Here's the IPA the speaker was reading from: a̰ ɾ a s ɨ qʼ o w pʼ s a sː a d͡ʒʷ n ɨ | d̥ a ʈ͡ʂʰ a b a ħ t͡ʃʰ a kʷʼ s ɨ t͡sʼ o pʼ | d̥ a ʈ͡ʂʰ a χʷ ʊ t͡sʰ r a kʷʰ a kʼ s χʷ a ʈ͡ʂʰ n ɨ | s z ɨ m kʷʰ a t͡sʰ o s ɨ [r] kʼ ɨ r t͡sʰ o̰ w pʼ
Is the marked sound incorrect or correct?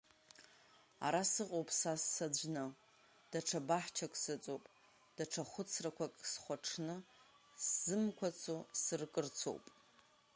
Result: correct